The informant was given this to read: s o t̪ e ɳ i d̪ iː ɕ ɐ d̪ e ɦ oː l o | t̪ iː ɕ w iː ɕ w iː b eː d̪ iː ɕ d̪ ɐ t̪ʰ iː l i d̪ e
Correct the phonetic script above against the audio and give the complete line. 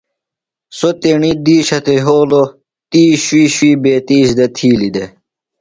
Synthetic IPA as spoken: s o t̪ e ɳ i d̪ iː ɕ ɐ t̪ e ɦ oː l o | t̪ iː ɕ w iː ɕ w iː b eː t̪ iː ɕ d̪ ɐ t̪ʰ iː l i d̪ e